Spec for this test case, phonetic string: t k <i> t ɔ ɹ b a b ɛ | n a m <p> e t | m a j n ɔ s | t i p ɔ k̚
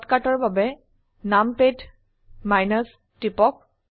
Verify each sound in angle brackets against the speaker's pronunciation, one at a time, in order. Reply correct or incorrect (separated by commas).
incorrect, correct